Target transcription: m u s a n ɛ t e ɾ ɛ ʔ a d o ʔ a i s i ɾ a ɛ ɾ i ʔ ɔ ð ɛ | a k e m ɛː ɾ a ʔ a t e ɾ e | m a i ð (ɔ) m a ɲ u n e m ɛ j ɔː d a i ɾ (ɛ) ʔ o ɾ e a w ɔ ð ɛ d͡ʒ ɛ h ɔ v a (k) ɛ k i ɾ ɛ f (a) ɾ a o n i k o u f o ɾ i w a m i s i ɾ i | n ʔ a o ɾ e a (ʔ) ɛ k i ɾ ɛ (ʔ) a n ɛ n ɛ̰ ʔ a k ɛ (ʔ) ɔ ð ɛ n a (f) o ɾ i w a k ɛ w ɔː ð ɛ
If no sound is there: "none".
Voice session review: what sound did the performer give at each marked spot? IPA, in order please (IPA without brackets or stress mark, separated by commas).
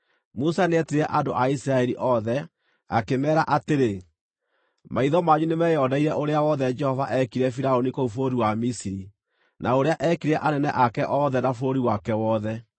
ɔ, ɛ, ʔ, i, ʔ, ʔ, ʔ, f